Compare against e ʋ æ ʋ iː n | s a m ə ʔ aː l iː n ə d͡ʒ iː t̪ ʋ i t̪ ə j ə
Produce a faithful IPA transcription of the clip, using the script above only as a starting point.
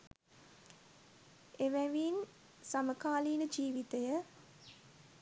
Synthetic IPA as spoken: e ʋ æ ʋ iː n | s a m ə k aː l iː n ə d͡ʒ iː ʋ i t̪ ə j ə